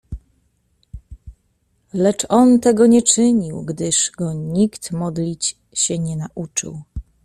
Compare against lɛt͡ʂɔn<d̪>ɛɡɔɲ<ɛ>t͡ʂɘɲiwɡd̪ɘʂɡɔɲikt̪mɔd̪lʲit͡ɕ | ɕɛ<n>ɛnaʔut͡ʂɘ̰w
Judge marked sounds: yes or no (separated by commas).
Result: no, yes, no